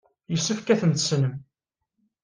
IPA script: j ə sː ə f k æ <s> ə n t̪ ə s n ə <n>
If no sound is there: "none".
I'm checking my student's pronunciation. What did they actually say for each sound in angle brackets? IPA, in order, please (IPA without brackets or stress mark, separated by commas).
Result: θ, m